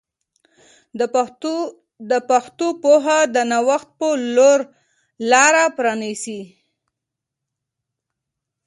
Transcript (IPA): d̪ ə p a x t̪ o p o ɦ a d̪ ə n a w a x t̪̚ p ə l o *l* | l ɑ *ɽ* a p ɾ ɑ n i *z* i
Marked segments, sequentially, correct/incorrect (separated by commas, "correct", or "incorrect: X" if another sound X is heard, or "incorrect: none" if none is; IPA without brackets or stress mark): incorrect: ɾ, incorrect: ɾ, incorrect: s